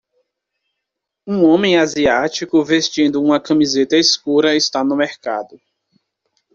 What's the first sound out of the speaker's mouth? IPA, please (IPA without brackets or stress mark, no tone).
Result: ũ